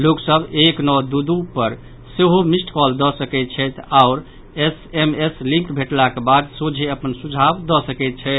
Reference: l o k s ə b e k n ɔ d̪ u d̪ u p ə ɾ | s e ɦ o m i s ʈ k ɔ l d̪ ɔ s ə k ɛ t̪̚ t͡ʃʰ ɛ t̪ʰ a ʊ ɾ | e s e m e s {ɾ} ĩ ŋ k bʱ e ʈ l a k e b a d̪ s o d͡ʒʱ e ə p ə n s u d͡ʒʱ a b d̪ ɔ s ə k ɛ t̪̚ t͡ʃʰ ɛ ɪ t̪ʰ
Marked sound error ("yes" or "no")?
yes